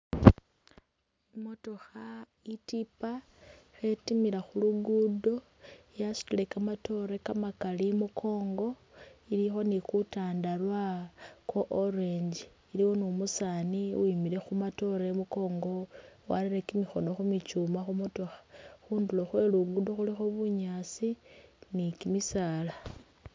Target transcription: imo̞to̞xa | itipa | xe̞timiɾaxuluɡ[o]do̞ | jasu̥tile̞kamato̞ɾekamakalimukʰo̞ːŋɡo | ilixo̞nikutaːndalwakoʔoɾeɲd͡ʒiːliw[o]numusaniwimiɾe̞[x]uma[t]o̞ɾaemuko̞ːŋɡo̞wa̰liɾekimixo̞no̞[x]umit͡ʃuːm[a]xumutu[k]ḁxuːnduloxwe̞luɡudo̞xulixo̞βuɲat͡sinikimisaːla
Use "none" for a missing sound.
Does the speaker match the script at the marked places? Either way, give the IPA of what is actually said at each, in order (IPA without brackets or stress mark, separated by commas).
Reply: u, o, x, t, x, a, x